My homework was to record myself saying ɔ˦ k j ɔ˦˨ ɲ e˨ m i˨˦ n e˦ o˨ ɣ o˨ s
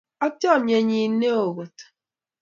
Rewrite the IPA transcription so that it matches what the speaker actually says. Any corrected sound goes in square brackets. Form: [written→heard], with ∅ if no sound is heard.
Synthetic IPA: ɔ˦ [k→t] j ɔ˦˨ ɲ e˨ [m→ɲ] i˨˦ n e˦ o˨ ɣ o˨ [s→t]